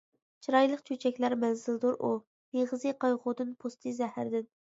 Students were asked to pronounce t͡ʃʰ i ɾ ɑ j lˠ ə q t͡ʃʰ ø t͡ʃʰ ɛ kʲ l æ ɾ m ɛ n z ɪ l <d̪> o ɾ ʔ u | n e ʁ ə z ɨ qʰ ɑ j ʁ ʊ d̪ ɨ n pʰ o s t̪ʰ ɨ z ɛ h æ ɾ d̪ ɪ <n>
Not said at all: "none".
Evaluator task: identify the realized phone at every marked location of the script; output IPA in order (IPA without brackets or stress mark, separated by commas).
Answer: d̪, n